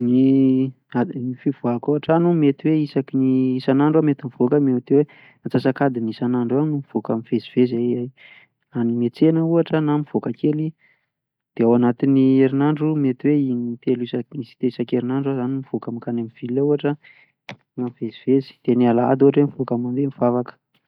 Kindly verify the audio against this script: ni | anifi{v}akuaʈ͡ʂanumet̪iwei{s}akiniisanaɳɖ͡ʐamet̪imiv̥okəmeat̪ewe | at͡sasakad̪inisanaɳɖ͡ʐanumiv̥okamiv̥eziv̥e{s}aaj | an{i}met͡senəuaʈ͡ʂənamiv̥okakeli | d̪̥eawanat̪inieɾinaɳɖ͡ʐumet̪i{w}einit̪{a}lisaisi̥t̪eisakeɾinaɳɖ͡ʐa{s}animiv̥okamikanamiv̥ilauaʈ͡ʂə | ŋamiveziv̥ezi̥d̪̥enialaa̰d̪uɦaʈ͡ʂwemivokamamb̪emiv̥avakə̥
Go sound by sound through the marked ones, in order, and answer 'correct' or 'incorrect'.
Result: correct, correct, incorrect: z, correct, correct, incorrect: e, incorrect: z

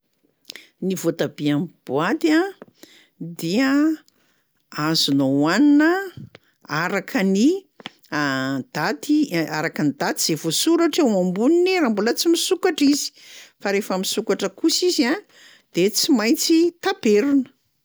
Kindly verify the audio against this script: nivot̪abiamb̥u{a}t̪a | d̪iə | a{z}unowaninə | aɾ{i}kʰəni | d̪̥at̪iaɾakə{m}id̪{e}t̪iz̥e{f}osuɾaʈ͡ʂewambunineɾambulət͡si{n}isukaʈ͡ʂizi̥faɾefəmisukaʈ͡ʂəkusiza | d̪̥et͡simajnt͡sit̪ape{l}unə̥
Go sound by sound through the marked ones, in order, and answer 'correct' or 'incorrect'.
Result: correct, correct, incorrect: a, incorrect: n, incorrect: a, incorrect: v, incorrect: m, incorrect: ɾ

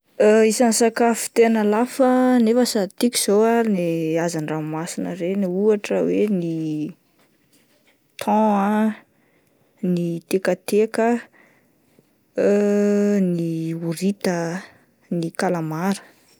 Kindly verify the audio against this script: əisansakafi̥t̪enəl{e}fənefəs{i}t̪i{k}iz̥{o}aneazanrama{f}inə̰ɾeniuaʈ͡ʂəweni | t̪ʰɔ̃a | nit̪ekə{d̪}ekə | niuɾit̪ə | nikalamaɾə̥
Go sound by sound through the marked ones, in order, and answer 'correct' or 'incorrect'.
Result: incorrect: a, incorrect: a, correct, correct, incorrect: s, incorrect: t̪

